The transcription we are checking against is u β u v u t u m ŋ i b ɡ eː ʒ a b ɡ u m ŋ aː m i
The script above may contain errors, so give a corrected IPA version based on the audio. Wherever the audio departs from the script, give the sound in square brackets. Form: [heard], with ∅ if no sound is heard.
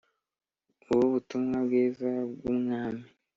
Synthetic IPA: u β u [β] u t u m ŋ [a] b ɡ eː [z] a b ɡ u m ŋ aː m i